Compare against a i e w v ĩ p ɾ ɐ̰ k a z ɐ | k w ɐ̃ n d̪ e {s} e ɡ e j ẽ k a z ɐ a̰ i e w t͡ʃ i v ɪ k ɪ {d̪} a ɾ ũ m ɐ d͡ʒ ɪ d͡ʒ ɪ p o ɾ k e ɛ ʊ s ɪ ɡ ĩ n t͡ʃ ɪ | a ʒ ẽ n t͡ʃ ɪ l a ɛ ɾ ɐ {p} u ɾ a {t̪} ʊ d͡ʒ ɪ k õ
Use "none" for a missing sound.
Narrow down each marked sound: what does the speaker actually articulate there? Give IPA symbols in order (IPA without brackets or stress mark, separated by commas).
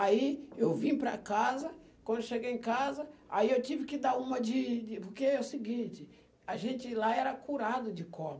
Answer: ʃ, d̪, k, d̪